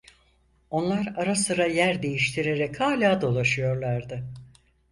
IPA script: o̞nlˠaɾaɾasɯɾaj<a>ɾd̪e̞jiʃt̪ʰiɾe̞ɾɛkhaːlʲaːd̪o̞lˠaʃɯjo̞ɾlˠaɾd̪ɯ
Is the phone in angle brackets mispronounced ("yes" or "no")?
yes